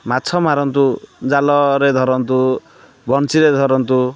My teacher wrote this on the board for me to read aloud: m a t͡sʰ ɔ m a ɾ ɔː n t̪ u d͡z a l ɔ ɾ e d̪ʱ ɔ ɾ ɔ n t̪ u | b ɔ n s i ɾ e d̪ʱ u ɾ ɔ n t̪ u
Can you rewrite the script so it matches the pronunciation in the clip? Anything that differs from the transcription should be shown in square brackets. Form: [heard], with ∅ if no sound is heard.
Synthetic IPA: m a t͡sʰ ɔ m a ɾ [ɔ] n t̪ u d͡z a l ɔ ɾ e d̪ʱ ɔ ɾ ɔ n t̪ u | b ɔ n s i ɾ e d̪ʱ [ɔ] ɾ ɔ n t̪ u